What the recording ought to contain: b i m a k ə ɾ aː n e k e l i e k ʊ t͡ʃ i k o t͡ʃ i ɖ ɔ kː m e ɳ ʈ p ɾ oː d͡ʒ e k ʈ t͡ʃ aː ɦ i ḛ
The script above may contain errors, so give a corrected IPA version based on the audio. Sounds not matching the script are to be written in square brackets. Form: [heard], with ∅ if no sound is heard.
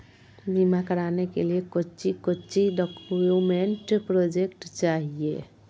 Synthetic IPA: b i m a k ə ɾ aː n e k e l i e k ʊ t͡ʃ i k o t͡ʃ i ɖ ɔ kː m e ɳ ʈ p ɾ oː d͡ʒ e k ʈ t͡ʃ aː ɦ i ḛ